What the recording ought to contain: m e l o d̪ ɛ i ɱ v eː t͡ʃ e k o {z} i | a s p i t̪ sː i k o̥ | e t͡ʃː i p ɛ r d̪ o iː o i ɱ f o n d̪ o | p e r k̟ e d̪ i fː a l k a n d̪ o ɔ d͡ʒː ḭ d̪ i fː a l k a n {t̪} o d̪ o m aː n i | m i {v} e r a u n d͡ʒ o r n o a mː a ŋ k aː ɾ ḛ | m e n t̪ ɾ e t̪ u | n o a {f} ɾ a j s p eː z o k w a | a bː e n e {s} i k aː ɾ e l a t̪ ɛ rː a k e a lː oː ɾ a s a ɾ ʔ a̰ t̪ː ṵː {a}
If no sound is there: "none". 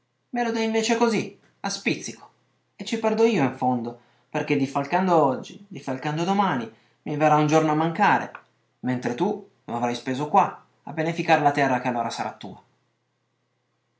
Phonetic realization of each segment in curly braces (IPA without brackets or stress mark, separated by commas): z, d̪, v, v, f, a